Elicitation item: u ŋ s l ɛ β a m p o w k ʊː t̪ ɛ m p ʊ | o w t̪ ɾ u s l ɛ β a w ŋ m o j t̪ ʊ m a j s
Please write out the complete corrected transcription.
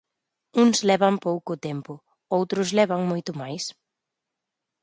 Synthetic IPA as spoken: u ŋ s l ɛ β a m p o w k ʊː t̪ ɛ m p ʊ | o w t̪ ɾ ʊ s l ɛ β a ŋ m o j t̪ ʊ m a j s